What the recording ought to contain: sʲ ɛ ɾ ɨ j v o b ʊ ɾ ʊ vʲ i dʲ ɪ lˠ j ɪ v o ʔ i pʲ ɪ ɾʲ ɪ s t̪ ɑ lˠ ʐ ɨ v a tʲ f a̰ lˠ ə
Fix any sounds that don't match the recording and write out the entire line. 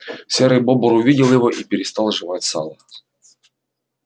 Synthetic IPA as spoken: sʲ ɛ ɾ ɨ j b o b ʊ ɾ ʊ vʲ i dʲ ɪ lˠ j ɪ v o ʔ i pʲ ɪ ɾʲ ɪ s t̪ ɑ lˠ ʐ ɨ v a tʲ s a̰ lˠ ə